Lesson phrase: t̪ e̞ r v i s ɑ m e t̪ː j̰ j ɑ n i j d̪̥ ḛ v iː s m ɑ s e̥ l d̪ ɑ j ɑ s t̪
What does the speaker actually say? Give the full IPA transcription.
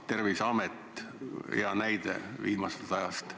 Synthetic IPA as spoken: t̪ e̞ r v i s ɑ m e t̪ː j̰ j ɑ n æ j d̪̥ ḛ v iː m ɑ s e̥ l t̪ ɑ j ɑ s t̪